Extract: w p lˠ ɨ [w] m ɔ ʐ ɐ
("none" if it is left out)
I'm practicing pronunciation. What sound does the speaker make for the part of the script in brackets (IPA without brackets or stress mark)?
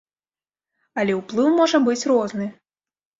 w